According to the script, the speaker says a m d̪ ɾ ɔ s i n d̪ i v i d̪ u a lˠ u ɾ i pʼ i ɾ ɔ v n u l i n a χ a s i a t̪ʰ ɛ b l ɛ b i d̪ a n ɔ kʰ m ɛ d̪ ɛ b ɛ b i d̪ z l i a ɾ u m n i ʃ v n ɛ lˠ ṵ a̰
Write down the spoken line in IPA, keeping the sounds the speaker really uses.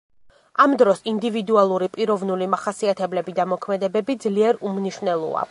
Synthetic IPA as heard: a m d̪ ɾ ɔ s i n d̪ i v i d̪ u a lˠ u ɾ i pʼ i ɾ ɔ v n u l i m a χ a s i a t̪ʰ ɛ b l ɛ b i d̪ a m ɔ kʰ m ɛ d̪ ɛ b ɛ b i d̪ z l i ɛ ɾ u m n i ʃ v n ɛ lˠ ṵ a̰